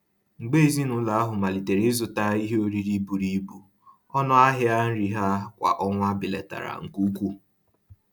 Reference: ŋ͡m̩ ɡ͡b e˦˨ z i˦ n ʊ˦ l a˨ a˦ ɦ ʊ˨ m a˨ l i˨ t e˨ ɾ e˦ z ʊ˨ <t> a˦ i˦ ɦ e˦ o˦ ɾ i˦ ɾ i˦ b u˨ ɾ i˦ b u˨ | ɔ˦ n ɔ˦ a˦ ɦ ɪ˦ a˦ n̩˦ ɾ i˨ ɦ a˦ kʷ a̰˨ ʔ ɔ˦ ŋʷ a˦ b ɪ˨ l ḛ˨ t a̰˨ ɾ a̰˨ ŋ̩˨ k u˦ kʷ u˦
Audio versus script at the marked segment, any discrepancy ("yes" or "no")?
no